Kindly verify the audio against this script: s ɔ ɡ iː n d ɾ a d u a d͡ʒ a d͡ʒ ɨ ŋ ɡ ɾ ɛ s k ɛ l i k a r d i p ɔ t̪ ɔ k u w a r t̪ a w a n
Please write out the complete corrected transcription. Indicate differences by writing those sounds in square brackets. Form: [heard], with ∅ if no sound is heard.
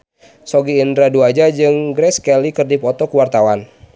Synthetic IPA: s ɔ ɡ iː n d ɾ a d u a d͡ʒ a d͡ʒ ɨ ŋ ɡ ɾ ɛ s k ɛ l i k [ə] r d i p ɔ t̪ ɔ k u w a r t̪ a w a n